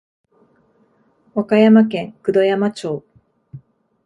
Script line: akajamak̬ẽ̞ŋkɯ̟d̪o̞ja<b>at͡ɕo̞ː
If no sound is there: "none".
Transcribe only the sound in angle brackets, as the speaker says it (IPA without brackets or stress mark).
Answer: m